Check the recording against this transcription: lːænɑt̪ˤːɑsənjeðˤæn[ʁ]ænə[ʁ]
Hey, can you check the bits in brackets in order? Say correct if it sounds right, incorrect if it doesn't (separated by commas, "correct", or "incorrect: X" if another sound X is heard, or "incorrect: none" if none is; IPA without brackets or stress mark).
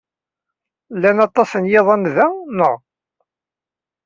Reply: incorrect: ð, correct